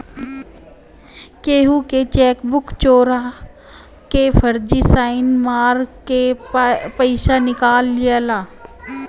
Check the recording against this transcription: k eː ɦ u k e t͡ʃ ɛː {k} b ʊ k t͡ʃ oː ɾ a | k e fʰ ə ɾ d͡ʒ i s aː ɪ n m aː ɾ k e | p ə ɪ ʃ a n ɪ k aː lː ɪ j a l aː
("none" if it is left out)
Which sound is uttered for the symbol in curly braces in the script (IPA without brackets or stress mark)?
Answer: k